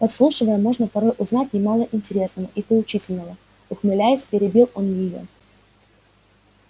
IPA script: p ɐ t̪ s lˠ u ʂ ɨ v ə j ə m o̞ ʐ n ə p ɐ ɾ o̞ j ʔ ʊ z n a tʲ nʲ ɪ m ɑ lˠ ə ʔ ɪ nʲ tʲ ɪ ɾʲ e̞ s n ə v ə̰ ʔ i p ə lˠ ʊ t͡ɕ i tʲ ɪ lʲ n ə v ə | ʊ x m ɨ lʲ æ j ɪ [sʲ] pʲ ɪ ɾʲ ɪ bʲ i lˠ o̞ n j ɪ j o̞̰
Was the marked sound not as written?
no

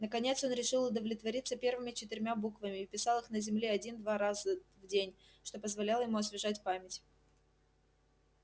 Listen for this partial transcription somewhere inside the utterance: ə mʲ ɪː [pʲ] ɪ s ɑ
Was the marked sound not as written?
no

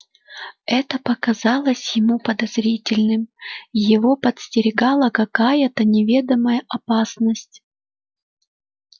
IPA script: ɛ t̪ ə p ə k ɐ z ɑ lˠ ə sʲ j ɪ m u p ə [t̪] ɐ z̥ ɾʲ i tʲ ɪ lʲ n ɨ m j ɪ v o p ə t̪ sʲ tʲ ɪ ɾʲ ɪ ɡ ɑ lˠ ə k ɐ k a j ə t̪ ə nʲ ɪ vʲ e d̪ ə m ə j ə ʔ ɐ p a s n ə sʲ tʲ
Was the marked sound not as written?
yes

